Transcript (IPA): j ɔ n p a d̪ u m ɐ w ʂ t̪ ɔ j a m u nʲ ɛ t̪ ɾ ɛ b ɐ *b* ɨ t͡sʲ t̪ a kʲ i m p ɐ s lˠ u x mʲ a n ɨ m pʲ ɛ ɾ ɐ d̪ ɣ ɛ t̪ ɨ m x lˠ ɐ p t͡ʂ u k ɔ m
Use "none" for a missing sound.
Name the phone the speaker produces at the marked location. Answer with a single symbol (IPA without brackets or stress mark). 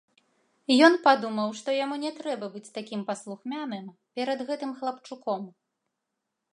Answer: b